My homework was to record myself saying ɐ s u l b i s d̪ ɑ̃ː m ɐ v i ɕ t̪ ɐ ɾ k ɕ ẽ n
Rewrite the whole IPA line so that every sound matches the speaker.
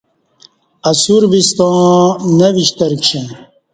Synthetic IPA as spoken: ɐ s u ɾ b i s t̪ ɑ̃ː n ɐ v i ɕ t̪ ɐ ɾ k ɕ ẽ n